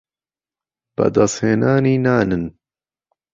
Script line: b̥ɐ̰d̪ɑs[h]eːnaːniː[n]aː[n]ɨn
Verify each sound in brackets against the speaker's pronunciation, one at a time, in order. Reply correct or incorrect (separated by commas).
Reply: correct, correct, correct